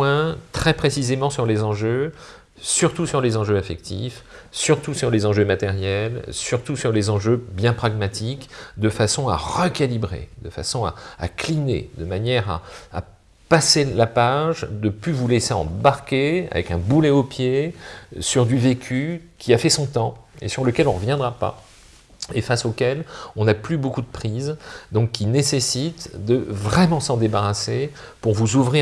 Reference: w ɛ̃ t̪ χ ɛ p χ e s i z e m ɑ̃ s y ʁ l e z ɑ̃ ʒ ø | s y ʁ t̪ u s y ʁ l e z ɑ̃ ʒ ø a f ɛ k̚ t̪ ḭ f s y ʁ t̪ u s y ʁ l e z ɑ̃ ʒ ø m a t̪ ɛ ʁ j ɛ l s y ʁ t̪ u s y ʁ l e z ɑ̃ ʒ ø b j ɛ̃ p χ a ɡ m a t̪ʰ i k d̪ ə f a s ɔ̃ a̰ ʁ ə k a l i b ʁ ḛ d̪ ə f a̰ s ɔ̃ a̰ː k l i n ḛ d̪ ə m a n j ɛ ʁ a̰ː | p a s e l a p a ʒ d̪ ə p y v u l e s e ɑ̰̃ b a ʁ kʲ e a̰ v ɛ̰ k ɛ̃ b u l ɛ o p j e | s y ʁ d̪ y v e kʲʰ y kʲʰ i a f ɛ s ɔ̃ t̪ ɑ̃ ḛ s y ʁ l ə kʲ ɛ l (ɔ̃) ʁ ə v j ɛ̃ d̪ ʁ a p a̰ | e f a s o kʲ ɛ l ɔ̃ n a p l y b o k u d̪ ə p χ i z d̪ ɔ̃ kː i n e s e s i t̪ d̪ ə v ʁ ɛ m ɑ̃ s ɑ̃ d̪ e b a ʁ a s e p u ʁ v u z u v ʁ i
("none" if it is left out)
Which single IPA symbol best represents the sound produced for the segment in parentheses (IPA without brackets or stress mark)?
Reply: ɔ̃